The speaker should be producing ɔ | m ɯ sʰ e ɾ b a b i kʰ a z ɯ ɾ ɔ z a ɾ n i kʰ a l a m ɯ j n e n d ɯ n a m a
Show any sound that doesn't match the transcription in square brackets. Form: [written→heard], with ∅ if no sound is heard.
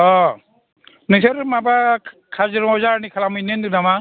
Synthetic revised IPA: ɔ | [m→n] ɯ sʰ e ɾ [b→m] a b [i→a] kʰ a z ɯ ɾ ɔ z a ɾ n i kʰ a l a m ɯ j n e n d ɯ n a m a